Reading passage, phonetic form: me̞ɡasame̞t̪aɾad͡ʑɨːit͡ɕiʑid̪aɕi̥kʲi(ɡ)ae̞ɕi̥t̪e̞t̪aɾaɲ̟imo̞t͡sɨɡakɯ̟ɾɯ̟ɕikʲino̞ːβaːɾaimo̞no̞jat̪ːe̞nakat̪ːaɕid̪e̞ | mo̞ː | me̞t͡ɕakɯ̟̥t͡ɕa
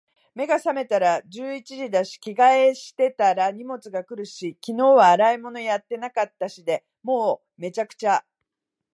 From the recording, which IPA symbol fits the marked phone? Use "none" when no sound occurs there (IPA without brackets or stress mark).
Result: ɡ